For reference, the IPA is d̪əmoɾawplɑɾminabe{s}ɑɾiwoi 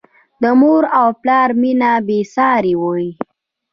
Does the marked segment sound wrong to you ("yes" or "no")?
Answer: no